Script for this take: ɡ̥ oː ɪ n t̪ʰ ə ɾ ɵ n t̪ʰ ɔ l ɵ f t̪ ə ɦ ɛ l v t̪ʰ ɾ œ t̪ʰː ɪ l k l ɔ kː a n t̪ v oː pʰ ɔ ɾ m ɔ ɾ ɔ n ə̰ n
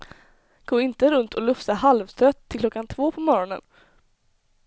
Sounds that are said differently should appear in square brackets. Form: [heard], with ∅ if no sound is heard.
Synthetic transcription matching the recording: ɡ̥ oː ɪ n [t̪] ə ɾ ɵ n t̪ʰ ɔ l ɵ f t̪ [a] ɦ [a] l v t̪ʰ ɾ œ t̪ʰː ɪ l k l ɔ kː a n [t̪ʰ] v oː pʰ ɔ [∅] m ɔ ɾ ɔ n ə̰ n